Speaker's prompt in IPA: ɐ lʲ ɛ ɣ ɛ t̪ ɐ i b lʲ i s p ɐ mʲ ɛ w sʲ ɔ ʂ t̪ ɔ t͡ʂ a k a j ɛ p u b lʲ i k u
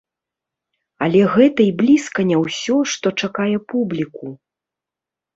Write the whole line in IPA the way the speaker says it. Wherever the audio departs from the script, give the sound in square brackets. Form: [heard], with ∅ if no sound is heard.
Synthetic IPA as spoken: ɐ lʲ ɛ ɣ ɛ t̪ ɐ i b lʲ i s [k] ɐ [nʲ] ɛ w sʲ ɔ ʂ t̪ ɔ t͡ʂ a k a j ɛ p u b lʲ i k u